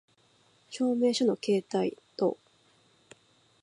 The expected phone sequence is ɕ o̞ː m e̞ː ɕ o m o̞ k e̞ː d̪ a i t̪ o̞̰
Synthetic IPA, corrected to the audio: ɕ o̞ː m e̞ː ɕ o n o̞ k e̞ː t̪ a i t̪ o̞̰